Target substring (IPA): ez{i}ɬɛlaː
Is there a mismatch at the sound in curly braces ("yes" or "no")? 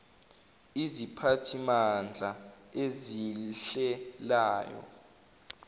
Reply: no